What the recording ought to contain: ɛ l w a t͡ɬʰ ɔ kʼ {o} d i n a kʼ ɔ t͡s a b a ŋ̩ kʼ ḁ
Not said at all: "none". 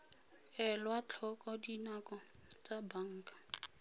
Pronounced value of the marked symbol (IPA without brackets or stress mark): ɔ